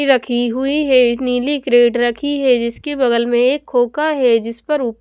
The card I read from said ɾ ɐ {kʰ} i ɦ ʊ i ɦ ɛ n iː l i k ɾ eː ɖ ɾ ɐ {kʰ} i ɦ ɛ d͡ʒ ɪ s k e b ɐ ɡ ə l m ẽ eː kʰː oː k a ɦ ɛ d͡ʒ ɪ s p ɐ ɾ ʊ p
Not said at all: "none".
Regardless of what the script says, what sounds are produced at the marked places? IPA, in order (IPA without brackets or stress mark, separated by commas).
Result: kʰ, kʰ